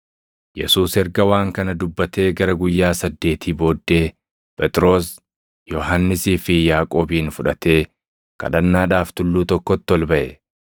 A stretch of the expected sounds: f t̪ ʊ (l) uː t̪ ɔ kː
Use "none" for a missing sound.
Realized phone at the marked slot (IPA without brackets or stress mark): lː